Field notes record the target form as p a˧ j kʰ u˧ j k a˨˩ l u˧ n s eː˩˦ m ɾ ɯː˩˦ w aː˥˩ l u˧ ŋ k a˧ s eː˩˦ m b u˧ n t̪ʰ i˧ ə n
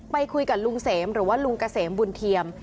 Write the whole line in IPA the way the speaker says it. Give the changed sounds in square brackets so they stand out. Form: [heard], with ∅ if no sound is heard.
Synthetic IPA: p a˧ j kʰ u˧ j k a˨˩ l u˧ [ŋ] s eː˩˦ m ɾ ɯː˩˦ w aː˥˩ l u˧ ŋ k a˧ s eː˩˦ m b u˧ n t̪ʰ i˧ ə [m]